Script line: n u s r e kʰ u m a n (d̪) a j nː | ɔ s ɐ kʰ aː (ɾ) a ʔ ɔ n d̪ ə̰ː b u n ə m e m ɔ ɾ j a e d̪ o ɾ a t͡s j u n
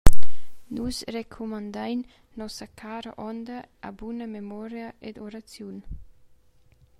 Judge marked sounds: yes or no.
yes, yes

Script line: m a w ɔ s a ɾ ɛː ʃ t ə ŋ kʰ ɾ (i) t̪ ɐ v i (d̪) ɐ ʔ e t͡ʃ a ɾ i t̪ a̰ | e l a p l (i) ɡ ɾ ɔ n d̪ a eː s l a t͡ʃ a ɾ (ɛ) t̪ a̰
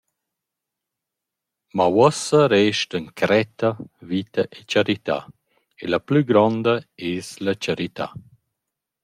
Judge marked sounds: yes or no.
no, no, no, no

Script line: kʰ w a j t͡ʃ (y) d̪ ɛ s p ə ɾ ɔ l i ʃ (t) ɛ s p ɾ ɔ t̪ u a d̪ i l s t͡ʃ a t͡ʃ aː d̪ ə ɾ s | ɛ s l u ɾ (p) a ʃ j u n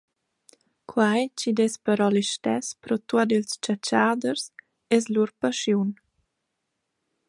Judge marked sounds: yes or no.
no, yes, yes

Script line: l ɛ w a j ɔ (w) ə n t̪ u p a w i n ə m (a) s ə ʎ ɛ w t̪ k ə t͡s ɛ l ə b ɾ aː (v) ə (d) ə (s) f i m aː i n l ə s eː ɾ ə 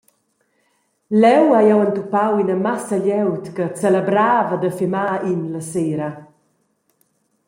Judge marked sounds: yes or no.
yes, yes, yes, yes, no

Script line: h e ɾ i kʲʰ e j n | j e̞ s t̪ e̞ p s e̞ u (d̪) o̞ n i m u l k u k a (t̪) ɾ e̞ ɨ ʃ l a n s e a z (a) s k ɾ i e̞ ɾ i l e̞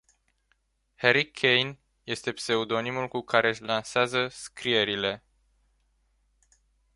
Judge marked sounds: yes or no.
yes, no, no

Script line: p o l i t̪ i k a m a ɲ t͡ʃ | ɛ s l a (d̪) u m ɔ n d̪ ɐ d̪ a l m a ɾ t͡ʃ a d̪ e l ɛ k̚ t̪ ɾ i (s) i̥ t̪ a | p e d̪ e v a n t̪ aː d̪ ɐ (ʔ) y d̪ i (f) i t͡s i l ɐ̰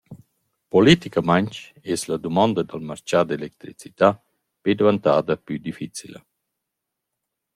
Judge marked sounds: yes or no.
yes, no, no, yes

